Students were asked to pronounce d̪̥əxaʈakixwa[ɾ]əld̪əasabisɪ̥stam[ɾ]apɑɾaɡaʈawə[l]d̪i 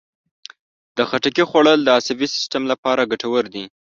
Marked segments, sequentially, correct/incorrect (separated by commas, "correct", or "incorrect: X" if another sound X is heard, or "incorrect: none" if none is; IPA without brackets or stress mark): incorrect: ɽ, incorrect: l, incorrect: ɾ